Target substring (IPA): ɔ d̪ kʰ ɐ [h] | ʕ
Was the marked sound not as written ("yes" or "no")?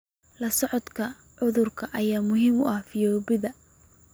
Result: yes